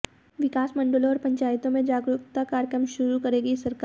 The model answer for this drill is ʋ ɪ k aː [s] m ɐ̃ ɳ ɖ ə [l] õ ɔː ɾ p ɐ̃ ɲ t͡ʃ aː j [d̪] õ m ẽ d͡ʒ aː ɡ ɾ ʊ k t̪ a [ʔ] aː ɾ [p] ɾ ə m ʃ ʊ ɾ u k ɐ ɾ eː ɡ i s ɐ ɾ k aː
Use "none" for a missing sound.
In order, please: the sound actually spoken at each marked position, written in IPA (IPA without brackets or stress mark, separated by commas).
s, l, t̪, k, k